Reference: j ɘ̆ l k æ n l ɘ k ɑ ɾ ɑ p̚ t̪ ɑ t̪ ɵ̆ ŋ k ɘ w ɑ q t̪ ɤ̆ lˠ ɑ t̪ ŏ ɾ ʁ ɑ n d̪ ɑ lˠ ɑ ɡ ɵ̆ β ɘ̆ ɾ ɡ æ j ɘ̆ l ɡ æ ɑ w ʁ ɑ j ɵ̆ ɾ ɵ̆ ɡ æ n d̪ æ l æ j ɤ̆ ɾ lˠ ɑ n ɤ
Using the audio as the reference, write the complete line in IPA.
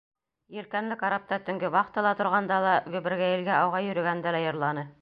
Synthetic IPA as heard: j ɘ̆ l k æ n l ɘ k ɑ ɾ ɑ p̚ t̪ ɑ t̪ ɵ̆ ŋ ɡ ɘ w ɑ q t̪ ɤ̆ lˠ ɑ t̪ ŏ ɾ ʁ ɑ n d̪ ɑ lˠ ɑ ɡ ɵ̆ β ɘ̆ ɾ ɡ æ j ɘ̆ l ɡ æ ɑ w ʁ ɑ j ɵ̆ ɾ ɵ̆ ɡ æ n d̪ æ l æ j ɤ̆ ɾ lˠ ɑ n ɤ